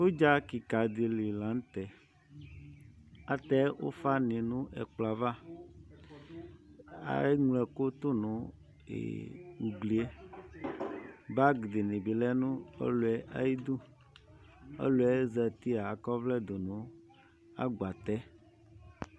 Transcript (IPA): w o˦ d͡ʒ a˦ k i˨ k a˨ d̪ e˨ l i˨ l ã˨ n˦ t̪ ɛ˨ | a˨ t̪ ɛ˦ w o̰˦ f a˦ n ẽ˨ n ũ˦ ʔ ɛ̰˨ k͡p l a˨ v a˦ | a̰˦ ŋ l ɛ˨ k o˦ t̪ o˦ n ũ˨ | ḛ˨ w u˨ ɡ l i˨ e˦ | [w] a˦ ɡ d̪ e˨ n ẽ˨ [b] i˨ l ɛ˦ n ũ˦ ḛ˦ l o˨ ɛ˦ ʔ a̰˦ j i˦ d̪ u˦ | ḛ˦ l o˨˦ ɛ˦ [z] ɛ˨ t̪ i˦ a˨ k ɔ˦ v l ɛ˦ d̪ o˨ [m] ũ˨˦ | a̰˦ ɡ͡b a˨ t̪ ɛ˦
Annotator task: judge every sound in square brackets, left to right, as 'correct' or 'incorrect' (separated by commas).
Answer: incorrect, correct, correct, incorrect